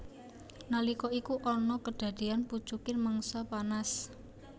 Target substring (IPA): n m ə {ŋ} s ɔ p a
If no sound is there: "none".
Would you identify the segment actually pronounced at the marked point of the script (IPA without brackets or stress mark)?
ŋ